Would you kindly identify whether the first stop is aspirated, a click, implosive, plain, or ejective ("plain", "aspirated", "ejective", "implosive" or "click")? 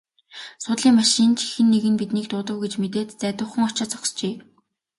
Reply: plain